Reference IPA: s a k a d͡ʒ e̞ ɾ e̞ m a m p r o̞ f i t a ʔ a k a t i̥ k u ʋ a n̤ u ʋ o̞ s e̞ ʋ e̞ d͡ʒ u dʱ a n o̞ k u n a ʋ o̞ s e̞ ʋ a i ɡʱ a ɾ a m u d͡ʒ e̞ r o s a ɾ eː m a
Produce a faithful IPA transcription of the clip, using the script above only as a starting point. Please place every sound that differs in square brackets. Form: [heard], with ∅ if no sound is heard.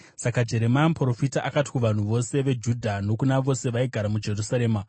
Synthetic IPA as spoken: s a k a d͡ʒ e̞ ɾ e̞ m a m p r o̞ f i t a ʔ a k a t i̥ k u ʋ a n̤ u ʋ o̞ s e̞ ʋ e̞ d͡ʒ u dʱ a n o̞ k u n a ʋ o̞ s e̞ ʋ a i ɡʱ a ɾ a m u d͡ʒ e̞ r [u] s a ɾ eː m a

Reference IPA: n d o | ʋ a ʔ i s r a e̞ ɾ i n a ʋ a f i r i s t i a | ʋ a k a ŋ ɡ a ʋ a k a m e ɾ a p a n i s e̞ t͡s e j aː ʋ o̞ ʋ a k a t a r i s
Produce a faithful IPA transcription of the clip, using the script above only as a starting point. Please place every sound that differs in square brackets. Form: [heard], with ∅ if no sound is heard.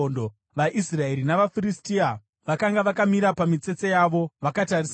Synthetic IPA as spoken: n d o | ʋ a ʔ i s r a e̞ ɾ i n a ʋ a f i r i s t i a | ʋ a k a ŋ ɡ a ʋ a k a m [i] ɾ a p a [m] i [t͡s] e̞ t͡s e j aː ʋ o̞ ʋ a k a t a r i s

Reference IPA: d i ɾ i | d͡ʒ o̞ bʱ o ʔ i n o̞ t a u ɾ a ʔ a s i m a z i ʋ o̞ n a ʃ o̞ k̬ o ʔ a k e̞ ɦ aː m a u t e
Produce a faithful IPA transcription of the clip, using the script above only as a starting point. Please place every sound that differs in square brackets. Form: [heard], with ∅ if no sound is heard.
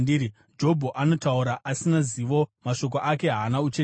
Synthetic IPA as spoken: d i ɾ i | d͡ʒ o̞ bʱ o ʔ [a] n o̞ t a u ɾ a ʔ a s i [n] a z i ʋ o̞ [m] a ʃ o̞ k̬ o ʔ a k e̞ ɦ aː [n] a u [t͡ʃ] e

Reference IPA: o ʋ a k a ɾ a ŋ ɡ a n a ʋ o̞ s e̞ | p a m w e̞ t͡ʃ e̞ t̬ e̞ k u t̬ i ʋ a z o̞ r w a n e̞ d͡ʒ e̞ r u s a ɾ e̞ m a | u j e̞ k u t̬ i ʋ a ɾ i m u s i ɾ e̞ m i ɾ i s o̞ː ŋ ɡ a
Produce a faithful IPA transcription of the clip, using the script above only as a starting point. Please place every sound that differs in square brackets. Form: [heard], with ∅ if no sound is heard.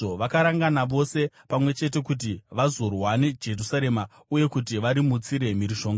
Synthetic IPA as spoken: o ʋ a k a ɾ a ŋ ɡ a n a ʋ o̞ s e̞ | p a m w e̞ t͡ʃ e̞ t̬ e̞ k u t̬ i ʋ a z o̞ r w a n e̞ d͡ʒ e̞ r u s a ɾ e̞ m a | u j e̞ k u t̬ i ʋ a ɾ i m u [t͡s] i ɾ e̞ m i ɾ i [ʃ] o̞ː ŋ ɡ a

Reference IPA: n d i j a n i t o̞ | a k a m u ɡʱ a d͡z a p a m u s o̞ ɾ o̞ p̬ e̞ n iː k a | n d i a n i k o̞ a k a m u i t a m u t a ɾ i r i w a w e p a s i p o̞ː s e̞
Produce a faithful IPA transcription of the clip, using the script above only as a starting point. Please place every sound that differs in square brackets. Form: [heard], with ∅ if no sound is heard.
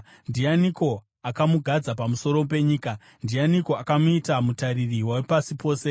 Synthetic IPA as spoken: n d i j a n i [k] o̞ | a k a m u ɡʱ a d͡z a p a m u s o̞ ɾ o̞ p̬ e̞ [ɲ] iː k a | n d i a n i k o̞ a k a m u i t a m u t a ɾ i r i w a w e p a s i p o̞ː s e̞

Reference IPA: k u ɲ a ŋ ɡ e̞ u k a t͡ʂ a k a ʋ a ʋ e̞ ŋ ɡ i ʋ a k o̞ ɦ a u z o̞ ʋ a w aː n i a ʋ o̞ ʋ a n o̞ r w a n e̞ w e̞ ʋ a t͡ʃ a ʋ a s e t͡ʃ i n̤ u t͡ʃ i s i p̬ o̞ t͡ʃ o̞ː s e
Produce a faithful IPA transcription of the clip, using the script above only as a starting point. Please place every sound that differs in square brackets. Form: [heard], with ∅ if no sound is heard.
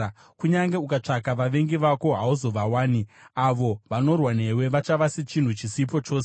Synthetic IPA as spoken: k u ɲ a ŋ ɡ e̞ u k a t͡ʂ a k a ʋ a ʋ e̞ ŋ ɡ i ʋ a k o̞ ɦ a u z o̞ ʋ a w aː n i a ʋ o̞ ʋ a n o̞ r w a n e̞ w e̞ ʋ a t͡ʃ a ʋ a s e t͡ʃ i n̤ u t͡ʃ i s i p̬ o̞ t͡ʃ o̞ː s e

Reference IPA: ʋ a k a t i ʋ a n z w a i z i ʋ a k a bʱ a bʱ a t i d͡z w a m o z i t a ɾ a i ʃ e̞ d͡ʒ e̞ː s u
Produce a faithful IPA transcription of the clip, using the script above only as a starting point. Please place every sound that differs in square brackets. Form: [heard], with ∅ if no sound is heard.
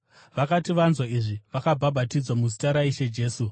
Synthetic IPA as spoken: ʋ a k a t i ʋ a n z w a i [ʐ] i ʋ a k a bʱ a bʱ a t i d͡z w a m [u] z i t a ɾ a i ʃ e̞ d͡ʒ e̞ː s u

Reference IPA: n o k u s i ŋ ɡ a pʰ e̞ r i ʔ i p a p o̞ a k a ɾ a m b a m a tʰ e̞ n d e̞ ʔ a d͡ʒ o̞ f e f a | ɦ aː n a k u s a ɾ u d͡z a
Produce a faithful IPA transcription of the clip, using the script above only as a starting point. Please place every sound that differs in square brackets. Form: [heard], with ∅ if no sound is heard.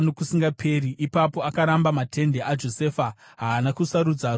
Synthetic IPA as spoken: n o k u s i ŋ ɡ a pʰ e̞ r i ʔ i p a p o̞ a k a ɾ a m b a m a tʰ e̞ n d e̞ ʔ a d͡ʒ o̞ [s] e f a | ɦ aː n a k u s a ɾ u d͡z a

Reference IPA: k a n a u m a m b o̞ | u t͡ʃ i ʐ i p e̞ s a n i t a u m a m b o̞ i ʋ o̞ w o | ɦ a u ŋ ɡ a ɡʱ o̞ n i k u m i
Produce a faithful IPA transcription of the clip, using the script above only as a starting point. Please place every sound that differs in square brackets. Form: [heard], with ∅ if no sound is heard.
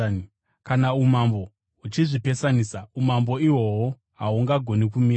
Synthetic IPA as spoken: k a n a u m a m b o̞ | u t͡ʃ i ʐ i p e̞ s a n i [s] a u m a m b o̞ i [w] o̞ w o | ɦ a u ŋ ɡ a ɡʱ o̞ n i k u m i

